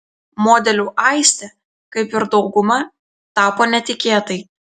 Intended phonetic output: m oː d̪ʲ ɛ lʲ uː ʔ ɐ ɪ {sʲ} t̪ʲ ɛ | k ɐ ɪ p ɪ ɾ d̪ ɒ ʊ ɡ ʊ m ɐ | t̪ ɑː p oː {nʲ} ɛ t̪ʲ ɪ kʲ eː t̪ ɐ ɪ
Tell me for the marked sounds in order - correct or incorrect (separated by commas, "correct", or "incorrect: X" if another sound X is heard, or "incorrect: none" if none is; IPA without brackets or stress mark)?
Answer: correct, correct